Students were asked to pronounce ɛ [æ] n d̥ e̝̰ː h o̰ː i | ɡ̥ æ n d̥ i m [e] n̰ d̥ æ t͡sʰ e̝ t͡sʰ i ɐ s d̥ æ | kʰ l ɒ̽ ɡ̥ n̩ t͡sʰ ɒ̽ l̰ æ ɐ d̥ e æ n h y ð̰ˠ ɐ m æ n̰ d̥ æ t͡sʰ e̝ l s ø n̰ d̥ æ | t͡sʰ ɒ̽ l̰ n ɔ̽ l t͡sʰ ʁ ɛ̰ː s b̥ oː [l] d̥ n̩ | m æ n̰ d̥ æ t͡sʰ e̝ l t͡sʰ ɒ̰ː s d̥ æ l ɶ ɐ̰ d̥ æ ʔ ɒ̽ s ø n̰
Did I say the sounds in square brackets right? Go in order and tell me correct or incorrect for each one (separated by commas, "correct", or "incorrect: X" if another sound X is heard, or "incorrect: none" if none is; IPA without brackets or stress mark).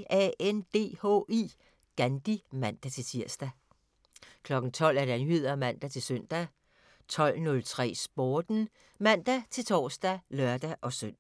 incorrect: e, incorrect: æ, incorrect: none